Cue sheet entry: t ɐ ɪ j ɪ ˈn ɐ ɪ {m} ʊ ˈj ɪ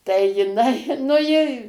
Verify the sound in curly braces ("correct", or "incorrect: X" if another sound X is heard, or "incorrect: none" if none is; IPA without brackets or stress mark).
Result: incorrect: n